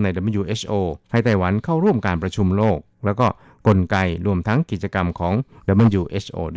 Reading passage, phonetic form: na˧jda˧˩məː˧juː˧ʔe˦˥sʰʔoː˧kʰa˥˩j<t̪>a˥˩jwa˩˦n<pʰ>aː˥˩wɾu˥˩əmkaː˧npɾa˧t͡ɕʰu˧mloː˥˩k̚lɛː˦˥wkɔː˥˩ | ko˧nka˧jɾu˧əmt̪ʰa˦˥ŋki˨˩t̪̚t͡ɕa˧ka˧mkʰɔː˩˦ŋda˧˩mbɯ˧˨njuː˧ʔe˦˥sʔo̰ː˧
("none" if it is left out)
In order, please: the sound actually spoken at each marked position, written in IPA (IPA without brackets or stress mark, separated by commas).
t̪, kʰ